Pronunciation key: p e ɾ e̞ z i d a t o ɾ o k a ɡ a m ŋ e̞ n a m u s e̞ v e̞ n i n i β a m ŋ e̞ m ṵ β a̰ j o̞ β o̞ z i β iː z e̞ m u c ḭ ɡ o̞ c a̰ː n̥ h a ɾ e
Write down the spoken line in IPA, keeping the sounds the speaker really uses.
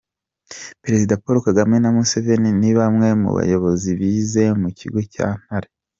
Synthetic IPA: p e ɾ e̞ z i d a p o ɾ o k a ɡ a m ŋ e̞ n a m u s e̞ v e̞ n i n i β a m ŋ e̞ m ṵ β a̰ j o̞ β o̞ z i β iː z e̞ m u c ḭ ɡ o̞ c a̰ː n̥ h a ɾ e